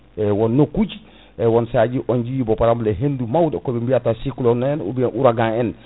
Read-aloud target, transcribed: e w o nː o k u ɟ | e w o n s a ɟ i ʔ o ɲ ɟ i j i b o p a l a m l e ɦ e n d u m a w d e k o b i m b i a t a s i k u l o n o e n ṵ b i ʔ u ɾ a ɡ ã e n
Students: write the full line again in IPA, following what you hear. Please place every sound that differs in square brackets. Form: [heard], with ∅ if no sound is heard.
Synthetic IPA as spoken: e w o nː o k u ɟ | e w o n s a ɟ i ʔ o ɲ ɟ i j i b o p a [ɾ] a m l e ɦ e n d u m a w d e k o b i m b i a t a s i k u l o n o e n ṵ b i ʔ u ɾ a ɡ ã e n

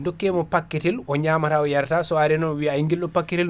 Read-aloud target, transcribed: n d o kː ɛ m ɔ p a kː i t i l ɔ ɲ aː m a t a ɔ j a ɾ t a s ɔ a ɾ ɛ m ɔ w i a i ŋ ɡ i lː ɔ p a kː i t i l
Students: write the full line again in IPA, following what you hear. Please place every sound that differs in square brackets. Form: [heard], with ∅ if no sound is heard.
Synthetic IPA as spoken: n d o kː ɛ m ɔ p a kː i t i l ɔ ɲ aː m a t a ɔ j a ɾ t a s ɔ a ɾ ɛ [n] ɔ w i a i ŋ ɡ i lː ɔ p a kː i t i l

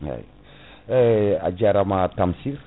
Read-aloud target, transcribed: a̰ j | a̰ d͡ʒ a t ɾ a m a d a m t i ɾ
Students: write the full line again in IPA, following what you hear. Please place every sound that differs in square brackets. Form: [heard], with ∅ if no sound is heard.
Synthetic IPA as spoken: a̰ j | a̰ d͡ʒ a [∅] ɾ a m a [t] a m [s] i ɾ

